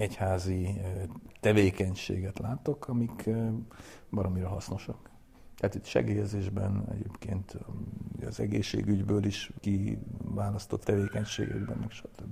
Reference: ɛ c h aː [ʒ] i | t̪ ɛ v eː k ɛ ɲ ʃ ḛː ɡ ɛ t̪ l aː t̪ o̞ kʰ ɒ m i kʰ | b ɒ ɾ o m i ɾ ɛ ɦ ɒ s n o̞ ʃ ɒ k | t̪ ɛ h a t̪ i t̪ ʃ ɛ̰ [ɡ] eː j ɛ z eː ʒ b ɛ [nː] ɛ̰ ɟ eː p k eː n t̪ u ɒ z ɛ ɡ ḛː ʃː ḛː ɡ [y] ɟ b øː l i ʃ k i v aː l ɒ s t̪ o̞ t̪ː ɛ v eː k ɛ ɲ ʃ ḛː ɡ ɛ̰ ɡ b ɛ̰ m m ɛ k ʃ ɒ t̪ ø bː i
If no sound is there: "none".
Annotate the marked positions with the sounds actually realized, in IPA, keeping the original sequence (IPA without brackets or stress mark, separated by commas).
z, ɡ, n, y